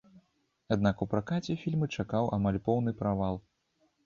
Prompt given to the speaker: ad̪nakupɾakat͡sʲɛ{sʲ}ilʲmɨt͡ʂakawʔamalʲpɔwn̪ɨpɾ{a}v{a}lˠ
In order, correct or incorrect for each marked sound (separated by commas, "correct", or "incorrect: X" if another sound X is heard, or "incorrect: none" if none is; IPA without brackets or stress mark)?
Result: incorrect: fʲ, correct, correct